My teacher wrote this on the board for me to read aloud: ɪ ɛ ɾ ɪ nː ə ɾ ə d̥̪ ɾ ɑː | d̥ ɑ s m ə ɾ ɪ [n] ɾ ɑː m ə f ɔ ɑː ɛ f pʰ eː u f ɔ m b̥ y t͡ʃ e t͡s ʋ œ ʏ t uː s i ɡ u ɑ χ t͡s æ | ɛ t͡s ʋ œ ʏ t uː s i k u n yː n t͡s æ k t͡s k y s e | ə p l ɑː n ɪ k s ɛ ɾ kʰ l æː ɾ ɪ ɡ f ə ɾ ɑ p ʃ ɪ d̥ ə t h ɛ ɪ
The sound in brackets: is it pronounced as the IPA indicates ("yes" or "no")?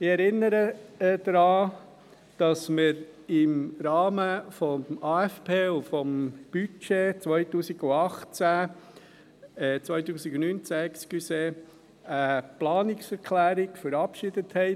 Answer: no